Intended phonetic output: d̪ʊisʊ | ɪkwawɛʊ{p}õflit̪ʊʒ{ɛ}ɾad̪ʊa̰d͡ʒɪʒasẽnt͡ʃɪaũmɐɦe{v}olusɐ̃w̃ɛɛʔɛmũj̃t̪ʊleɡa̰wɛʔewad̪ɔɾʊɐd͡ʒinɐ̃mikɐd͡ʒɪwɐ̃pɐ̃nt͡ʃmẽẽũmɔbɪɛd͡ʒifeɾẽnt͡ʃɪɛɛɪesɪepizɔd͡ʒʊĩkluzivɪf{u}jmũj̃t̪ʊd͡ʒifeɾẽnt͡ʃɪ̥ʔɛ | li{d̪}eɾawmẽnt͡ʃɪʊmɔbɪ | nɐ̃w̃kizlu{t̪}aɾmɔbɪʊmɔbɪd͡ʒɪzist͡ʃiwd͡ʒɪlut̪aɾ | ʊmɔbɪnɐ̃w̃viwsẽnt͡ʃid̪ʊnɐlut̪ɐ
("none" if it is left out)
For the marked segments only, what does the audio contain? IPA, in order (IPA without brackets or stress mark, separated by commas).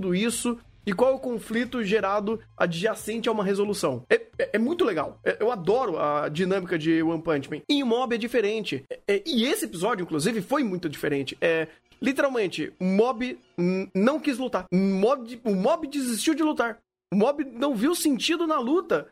k, e, z, o, t̪, t̪